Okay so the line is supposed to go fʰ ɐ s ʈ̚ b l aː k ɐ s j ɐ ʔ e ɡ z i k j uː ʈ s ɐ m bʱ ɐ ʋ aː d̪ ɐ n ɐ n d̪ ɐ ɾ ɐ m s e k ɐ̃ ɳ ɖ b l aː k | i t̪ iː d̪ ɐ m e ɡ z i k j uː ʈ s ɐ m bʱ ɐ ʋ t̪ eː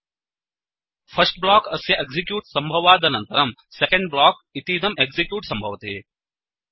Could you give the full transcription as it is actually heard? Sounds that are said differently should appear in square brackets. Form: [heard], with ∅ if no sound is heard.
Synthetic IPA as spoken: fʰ ɐ s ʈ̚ b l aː k ɐ s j ɐ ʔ e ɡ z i k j uː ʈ s ɐ m bʱ ɐ ʋ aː d̪ ɐ n ɐ n [t̪] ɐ ɾ ɐ m s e k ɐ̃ ɳ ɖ b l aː k | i t̪ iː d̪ ɐ m e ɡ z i k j uː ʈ s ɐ m bʱ ɐ ʋ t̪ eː